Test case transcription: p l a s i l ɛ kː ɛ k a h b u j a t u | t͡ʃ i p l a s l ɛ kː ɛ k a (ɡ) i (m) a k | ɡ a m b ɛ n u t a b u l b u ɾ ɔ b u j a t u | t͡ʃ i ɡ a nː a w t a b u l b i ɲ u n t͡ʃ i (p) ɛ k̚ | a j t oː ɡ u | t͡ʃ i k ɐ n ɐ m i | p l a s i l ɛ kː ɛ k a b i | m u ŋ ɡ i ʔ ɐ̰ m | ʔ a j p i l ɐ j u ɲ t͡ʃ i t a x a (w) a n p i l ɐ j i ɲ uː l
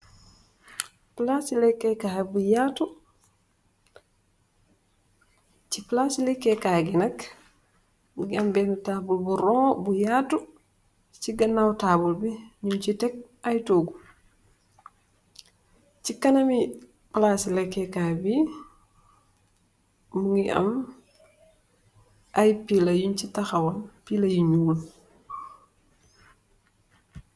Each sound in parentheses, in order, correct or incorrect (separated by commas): correct, incorrect, incorrect, correct